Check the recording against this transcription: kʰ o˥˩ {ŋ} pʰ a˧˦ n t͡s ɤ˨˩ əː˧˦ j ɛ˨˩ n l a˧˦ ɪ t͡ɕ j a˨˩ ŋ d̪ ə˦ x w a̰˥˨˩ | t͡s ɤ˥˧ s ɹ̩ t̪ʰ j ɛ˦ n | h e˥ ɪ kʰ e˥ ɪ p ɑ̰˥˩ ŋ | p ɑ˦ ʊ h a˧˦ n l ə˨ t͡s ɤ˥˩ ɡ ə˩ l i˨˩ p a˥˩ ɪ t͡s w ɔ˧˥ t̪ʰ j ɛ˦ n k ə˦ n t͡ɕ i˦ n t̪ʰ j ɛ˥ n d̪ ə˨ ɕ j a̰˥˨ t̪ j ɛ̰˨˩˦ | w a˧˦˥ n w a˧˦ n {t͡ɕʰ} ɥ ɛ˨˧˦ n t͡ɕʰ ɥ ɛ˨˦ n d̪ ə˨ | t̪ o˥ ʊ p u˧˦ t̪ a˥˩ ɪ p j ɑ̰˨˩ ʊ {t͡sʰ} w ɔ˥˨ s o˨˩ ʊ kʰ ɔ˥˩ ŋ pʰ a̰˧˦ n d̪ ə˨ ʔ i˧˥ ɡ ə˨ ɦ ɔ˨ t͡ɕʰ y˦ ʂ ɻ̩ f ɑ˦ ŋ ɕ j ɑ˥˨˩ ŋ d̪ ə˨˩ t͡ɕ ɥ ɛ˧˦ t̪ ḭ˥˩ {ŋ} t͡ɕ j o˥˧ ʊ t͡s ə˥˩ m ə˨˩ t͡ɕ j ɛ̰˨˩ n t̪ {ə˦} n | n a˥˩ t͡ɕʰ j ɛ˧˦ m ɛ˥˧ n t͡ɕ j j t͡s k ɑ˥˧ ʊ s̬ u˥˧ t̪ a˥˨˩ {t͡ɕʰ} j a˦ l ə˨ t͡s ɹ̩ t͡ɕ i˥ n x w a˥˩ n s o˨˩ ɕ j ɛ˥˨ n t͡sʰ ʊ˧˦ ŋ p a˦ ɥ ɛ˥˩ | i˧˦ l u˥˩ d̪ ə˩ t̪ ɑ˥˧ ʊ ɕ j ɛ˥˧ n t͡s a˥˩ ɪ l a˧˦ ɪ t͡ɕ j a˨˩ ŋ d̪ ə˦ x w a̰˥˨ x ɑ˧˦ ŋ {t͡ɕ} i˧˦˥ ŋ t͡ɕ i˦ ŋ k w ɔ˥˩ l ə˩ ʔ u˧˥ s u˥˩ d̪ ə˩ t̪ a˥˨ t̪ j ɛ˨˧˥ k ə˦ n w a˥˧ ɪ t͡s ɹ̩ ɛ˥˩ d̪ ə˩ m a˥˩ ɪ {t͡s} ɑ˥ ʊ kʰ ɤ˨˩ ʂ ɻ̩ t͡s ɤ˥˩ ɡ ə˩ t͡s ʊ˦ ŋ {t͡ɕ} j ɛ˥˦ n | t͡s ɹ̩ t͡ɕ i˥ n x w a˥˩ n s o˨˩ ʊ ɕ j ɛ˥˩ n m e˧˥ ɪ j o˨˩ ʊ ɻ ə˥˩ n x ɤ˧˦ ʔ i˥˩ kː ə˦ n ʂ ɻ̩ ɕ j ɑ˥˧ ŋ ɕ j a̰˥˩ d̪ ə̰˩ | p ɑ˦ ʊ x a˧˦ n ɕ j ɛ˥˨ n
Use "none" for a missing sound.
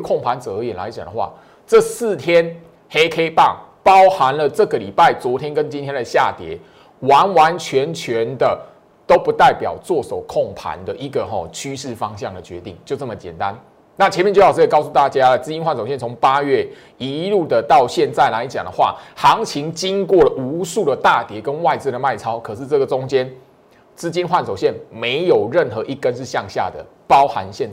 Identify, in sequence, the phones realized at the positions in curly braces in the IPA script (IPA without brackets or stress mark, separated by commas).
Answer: ŋ, t͡ɕʰ, t͡s, ŋ, a˦, t͡ɕ, t͡ɕʰ, t͡sʰ, t͡ɕ